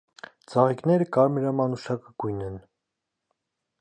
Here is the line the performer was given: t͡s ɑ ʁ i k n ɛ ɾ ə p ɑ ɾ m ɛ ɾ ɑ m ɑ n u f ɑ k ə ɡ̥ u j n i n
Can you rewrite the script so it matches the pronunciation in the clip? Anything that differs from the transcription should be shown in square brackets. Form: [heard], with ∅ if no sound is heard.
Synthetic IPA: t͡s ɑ ʁ i k n ɛ ɾ ə [k] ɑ ɾ m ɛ ɾ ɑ m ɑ n u [ʃ] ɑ k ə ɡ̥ u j n [ɛ] n